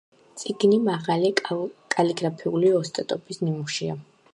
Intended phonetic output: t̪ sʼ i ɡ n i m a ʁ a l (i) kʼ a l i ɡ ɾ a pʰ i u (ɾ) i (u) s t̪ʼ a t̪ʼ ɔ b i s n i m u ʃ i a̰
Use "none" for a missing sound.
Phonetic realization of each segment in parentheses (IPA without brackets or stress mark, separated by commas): i, l, ɔ